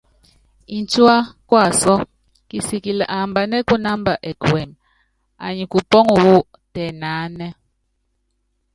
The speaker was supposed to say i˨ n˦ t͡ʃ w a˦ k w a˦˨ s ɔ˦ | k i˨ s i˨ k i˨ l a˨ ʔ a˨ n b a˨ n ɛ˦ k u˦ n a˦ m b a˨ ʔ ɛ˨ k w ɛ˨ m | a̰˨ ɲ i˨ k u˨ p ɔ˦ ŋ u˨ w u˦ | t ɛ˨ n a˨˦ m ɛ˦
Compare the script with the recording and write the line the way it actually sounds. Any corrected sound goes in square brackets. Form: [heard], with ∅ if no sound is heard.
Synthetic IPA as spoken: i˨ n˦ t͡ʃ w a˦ k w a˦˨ s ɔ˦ | k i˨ s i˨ k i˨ l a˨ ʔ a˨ [m] b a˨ n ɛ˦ k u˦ n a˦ m b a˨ ʔ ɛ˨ k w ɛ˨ m | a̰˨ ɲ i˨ k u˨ p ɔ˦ ŋ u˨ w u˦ | t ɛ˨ n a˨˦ [n] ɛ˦